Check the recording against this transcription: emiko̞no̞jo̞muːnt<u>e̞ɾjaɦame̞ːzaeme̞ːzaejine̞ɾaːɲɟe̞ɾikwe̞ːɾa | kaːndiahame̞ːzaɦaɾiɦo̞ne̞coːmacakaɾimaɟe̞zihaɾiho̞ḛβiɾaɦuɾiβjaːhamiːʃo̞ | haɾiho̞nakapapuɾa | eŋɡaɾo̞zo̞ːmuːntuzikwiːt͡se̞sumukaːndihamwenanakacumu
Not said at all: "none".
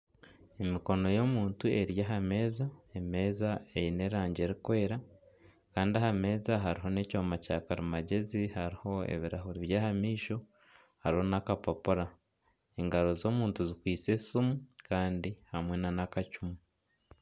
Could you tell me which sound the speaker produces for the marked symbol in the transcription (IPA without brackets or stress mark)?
u